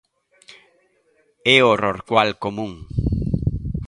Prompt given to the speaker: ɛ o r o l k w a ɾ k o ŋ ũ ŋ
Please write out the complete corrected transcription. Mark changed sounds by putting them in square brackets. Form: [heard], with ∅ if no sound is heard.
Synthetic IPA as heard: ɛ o r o [ɾ] k w a [l] k o [m] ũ ŋ